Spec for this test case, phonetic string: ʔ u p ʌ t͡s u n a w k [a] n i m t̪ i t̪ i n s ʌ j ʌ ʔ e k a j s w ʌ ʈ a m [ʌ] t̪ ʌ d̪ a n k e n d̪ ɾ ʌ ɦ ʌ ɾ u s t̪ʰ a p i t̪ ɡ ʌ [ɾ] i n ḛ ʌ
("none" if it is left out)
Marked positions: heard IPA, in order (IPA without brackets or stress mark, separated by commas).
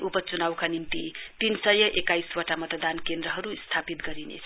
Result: a, ʌ, ɾ